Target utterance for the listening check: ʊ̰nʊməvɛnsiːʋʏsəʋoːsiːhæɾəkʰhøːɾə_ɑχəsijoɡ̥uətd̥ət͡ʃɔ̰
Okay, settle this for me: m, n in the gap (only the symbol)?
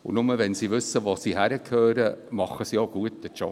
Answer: m